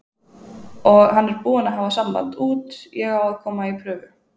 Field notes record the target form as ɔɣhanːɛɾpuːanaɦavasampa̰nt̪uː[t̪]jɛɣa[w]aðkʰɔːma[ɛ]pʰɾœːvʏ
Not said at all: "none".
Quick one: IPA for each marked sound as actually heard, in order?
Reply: t̪, w, i

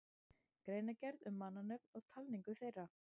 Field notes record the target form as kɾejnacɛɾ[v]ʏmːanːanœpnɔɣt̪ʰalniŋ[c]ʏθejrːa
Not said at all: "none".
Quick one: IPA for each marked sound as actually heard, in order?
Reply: ð, k

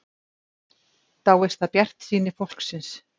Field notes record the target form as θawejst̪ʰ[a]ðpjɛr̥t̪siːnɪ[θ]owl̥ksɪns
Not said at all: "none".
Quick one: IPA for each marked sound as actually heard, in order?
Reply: a, f

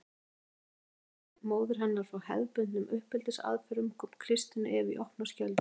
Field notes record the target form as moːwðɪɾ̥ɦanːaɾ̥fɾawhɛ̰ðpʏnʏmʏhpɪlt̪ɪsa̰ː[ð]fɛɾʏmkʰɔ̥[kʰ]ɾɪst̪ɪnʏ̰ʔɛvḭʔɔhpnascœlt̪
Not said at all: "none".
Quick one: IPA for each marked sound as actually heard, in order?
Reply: ð, kʰ

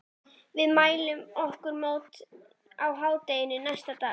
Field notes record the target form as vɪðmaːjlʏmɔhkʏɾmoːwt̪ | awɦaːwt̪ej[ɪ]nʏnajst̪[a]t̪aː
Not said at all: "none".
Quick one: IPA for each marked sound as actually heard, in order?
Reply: ɪ, a

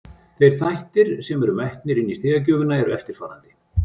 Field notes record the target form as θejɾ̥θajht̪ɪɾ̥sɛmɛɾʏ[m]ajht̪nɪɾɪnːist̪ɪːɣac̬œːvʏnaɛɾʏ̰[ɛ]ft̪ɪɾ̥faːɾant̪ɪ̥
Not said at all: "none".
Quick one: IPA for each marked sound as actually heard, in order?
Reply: m, ɛ

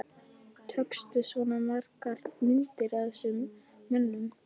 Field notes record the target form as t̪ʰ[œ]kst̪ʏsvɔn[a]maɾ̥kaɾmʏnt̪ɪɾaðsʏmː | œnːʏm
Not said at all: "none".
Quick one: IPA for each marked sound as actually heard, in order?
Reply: œ, a

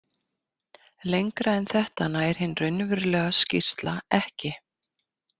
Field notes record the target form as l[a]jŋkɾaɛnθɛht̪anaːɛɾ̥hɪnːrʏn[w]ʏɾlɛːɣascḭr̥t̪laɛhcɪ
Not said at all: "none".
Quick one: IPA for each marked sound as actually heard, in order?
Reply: e, v

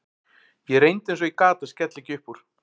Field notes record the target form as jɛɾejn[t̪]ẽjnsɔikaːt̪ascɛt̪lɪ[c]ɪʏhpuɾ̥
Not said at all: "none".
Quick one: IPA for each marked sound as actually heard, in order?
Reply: t̪, c

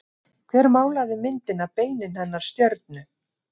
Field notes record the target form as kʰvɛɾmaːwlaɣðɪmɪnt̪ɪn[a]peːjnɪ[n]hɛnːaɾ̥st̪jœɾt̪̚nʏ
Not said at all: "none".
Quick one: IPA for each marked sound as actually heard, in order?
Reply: a, n

